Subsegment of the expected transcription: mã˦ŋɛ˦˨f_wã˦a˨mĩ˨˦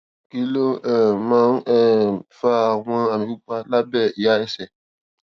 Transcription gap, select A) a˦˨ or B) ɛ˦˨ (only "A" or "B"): A